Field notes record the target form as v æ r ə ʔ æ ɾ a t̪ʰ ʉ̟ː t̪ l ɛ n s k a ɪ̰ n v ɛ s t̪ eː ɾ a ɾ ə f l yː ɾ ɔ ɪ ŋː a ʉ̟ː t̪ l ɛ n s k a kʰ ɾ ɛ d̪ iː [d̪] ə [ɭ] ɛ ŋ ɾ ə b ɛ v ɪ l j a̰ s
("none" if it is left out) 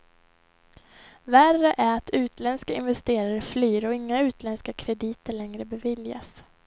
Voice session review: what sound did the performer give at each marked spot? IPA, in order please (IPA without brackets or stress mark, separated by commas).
t̪, ɭ